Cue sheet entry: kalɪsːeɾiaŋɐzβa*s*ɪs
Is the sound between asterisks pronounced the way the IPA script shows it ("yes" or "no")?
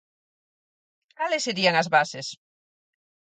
yes